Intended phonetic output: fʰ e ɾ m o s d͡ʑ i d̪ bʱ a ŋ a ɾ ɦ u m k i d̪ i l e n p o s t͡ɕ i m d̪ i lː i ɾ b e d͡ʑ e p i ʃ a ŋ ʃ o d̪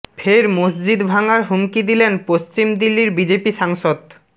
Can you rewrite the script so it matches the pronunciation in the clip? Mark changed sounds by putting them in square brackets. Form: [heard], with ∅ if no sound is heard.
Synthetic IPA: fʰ e ɾ m o s d͡ʑ i d̪ bʱ a ŋ a ɾ ɦ u m k i d̪ i l e n p o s t͡ɕ i m d̪ i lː i ɾ b [i] d͡ʑ e p i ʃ a ŋ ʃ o d̪